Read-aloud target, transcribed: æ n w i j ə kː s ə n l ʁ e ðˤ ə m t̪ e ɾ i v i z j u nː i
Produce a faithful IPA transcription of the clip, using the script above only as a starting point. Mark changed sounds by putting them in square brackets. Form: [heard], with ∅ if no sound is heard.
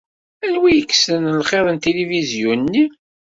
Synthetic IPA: æ n w i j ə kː s ə n l [χ] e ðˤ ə [n] t̪ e [l] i v i z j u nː i